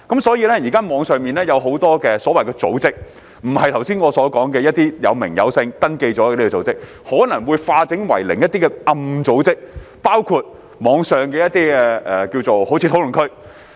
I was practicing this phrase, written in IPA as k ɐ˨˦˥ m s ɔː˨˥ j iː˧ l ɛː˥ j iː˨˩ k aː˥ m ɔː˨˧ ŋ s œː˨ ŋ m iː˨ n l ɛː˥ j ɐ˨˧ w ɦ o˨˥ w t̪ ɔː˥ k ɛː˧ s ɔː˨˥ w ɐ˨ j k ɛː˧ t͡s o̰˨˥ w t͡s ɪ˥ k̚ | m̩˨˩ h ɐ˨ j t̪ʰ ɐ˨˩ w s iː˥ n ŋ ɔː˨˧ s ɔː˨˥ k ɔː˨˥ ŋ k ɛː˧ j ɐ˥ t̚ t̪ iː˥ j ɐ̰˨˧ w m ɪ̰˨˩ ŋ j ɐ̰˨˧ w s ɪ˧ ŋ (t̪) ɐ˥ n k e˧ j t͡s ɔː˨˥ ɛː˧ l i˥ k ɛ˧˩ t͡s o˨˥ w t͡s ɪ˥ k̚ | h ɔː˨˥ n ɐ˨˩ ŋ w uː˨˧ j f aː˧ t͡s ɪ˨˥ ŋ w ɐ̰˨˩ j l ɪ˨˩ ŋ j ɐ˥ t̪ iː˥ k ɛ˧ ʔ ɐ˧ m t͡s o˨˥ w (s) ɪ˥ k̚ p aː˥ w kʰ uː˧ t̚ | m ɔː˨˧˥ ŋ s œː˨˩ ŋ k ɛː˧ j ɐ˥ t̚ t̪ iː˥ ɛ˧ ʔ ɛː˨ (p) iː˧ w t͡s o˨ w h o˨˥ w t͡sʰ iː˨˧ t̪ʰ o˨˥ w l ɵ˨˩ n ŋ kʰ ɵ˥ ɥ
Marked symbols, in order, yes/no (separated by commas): yes, no, no